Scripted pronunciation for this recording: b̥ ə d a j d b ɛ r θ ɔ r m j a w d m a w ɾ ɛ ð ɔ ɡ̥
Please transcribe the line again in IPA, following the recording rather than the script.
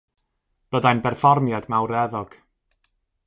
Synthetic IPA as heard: b̥ ə d a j n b ɛ r f ɔ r m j a d m a w ɾ ɛ ð ɔ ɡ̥